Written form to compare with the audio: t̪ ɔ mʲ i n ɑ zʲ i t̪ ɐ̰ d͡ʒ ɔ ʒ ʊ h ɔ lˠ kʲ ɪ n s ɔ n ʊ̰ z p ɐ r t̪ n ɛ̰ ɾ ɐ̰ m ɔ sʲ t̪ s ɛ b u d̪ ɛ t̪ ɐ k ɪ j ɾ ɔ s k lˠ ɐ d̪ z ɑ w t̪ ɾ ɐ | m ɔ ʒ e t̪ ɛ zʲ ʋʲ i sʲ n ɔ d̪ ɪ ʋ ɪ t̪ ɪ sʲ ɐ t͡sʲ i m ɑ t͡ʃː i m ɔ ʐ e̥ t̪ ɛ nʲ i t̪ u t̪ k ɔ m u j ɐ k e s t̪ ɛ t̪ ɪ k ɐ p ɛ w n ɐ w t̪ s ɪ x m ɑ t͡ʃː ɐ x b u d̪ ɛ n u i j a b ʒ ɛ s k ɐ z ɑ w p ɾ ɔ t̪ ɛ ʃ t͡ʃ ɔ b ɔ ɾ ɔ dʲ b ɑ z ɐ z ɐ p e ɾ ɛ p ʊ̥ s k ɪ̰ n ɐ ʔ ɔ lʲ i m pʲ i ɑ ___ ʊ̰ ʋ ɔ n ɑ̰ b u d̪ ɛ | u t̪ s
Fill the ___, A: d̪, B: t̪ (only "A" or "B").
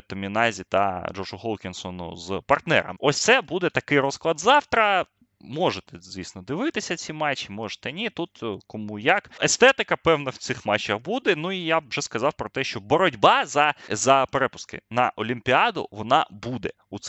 A